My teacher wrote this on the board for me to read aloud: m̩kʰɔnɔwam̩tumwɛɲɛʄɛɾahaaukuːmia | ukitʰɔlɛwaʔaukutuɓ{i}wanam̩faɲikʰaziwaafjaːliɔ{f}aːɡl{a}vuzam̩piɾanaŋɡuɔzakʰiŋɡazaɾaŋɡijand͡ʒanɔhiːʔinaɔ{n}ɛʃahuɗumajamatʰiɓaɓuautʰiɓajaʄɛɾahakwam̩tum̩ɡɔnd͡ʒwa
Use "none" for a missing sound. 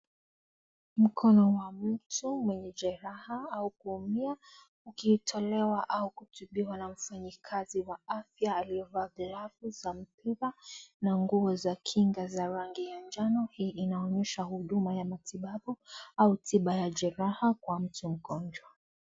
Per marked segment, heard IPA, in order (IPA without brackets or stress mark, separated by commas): i, v, a, ɲ